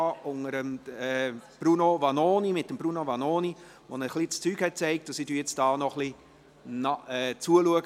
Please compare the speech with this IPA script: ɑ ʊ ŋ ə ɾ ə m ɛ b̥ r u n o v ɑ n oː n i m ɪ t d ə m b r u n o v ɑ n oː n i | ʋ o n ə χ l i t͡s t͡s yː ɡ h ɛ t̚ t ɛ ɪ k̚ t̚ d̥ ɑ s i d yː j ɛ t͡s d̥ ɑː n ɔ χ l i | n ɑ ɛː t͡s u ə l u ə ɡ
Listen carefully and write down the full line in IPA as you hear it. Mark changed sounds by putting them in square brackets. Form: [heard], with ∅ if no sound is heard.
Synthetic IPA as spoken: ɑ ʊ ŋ ə ɾ ə m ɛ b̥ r u n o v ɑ n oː n i m ɪ t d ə m b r u n o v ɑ n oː n i | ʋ o n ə χ l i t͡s t͡s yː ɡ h ɛ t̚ [t͡s] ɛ ɪ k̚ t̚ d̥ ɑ s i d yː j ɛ t͡s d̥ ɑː n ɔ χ l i | n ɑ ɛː t͡s u ə l u ə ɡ